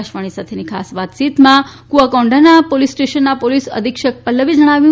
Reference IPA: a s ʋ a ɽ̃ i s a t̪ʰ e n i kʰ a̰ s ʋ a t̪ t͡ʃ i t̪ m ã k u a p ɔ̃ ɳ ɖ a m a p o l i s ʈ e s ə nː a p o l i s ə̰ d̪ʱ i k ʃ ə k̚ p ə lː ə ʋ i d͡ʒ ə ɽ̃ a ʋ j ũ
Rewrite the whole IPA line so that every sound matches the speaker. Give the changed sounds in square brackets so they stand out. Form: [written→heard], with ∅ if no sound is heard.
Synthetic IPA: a [s→ʃ] ʋ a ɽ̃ i s a t̪ʰ e n i kʰ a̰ s ʋ a t̪ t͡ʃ i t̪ m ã k u a [p→k] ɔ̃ ɳ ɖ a [m→n] a p o l i s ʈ e [s→ʃ] ə nː a p o l i s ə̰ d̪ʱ i k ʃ ə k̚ p ə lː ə ʋ i d͡ʒ ə ɽ̃ a ʋ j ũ